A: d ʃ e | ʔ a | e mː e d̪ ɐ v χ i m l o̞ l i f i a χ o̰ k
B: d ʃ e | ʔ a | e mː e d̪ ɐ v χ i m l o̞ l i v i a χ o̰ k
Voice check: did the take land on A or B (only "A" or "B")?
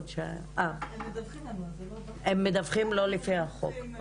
A